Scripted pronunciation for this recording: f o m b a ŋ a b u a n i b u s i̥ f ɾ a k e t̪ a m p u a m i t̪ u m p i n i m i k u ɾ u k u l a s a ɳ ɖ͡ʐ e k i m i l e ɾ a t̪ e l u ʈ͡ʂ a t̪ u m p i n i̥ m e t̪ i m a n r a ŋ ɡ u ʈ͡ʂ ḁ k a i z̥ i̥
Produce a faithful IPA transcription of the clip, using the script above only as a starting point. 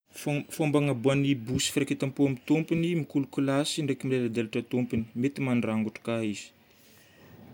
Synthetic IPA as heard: f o m b a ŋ a b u a n i b u s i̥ f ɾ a k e t̪ a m p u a m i t̪ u m p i n i m i k u l u k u l a s i ɳ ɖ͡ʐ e k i m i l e l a d̪ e l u ʈ͡ʂ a t̪ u m p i n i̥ m e t̪ i m a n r a ŋ ɡ u ʈ͡ʂ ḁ k a i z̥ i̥